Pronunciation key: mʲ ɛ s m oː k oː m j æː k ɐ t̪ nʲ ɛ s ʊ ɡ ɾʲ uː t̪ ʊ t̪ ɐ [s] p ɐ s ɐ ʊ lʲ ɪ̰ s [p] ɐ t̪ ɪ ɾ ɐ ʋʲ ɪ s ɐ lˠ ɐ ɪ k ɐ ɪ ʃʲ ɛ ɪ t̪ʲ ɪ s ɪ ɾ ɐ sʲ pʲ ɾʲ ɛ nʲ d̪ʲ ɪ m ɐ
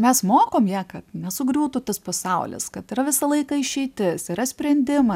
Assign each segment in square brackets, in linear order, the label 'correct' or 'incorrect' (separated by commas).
correct, incorrect